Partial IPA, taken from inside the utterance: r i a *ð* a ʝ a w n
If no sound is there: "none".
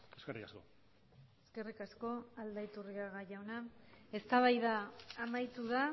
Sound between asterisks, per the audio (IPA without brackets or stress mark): ɣ